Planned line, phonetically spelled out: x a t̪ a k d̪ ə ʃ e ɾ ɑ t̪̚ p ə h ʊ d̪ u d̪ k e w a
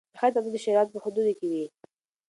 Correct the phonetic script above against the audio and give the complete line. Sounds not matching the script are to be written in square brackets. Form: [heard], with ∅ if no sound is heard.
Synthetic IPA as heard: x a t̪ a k d̪ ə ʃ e ɾ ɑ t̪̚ p ə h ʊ d̪ u d̪ k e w [i]